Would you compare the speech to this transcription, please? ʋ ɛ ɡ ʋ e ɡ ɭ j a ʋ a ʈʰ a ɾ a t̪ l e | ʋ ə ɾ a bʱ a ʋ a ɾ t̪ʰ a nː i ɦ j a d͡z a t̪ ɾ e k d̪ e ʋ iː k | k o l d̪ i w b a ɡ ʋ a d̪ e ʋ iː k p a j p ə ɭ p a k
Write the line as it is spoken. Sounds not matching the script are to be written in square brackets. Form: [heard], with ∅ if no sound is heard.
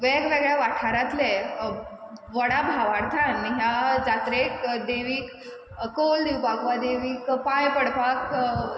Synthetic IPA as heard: ʋ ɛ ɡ ʋ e ɡ ɭ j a ʋ a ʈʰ a ɾ a t̪ l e | ʋ ə [ɽ] a bʱ a ʋ a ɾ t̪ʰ a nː i ɦ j a d͡z a t̪ ɾ e k d̪ e ʋ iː k | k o l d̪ i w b a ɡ ʋ a d̪ e ʋ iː k p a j p ə [ɽ] p a k